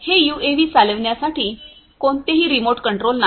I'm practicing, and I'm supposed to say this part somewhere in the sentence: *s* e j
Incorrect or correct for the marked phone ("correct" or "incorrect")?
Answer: incorrect